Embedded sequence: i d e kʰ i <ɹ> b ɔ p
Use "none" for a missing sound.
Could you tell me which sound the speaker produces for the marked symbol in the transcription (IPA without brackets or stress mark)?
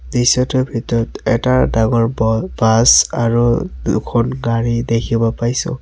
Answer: none